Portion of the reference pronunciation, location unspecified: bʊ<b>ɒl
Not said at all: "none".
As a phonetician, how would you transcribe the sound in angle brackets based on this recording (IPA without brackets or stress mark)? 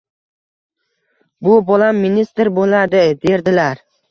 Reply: b